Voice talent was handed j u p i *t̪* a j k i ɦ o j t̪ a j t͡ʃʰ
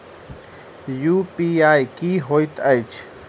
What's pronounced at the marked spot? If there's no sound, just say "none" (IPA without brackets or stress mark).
none